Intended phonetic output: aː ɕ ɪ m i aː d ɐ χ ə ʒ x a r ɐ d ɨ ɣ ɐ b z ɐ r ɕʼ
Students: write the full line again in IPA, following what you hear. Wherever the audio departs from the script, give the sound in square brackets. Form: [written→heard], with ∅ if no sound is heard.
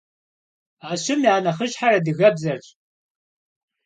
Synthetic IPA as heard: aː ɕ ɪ m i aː [d→n] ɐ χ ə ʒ [x→ħ] a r ɐ d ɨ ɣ ɐ b z ɐ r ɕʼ